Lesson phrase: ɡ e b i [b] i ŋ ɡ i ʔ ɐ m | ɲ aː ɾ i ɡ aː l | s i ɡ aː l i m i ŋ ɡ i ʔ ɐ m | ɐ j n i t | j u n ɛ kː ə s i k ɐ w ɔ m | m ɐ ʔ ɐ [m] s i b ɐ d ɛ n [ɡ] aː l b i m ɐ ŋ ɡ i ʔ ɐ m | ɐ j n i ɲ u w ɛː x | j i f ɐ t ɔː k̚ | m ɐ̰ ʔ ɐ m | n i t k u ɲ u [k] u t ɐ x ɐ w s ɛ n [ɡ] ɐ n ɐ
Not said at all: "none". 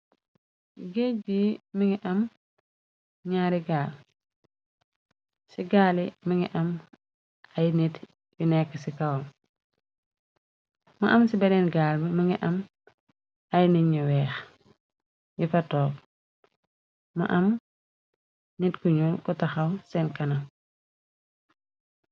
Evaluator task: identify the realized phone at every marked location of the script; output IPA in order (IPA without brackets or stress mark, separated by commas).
m, m, ɡ, k, k